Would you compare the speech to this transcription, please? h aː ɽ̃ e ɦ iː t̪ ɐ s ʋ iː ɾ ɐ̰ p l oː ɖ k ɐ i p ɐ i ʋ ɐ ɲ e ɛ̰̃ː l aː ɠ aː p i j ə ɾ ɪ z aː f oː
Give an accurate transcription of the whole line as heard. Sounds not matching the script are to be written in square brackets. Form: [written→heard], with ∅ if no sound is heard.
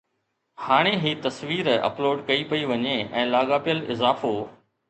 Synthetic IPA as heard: h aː ɽ̃ e ɦ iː t̪ ɐ s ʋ iː ɾ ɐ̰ p l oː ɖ k ɐ i p ɐ i ʋ ɐ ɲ e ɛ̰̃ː l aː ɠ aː p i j ə [ɾ→l] ɪ z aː f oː